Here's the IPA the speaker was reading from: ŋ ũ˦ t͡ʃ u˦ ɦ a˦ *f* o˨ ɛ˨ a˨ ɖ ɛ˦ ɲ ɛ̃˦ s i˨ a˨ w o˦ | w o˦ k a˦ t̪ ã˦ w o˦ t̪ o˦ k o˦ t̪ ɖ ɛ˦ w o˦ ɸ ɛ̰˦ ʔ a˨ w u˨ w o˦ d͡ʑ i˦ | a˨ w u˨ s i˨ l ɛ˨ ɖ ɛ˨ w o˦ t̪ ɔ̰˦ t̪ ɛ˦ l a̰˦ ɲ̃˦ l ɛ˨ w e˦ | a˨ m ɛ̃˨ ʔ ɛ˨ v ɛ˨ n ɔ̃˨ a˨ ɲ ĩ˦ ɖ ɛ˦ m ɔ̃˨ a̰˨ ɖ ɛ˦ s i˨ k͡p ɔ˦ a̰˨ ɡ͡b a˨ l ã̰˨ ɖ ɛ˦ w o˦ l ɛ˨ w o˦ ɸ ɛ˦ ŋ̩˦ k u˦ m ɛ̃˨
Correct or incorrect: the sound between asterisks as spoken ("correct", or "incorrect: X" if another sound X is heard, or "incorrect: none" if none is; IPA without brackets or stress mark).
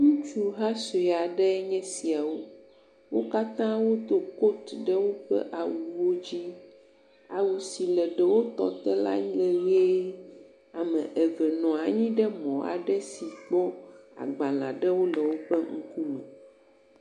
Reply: incorrect: s